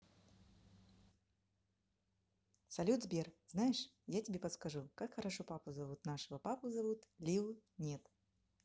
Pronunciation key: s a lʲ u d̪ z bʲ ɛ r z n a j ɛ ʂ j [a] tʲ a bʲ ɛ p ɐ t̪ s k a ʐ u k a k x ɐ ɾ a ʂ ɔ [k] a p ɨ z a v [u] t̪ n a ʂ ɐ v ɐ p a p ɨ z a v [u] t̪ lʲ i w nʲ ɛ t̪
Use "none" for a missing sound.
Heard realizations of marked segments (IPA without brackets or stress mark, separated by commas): a, p, u, u